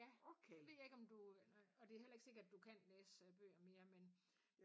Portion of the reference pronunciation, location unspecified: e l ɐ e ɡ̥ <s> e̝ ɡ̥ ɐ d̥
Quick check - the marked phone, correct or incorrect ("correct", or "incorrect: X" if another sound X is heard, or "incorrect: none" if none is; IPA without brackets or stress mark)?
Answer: correct